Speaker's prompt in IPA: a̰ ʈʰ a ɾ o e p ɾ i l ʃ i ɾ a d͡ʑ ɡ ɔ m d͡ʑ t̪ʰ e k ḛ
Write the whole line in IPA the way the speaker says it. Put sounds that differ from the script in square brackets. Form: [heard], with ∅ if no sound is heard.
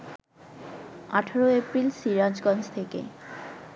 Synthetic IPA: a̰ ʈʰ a ɾ o e p ɾ i l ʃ i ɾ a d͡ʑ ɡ ɔ [n] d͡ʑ t̪ʰ e k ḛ